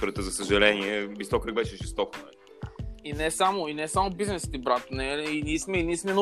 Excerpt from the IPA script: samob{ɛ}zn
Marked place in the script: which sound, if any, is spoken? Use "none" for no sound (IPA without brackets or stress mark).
i